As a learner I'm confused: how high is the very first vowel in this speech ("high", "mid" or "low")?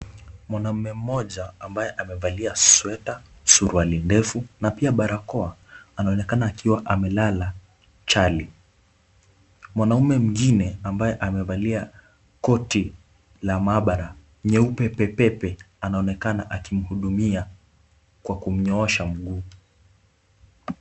low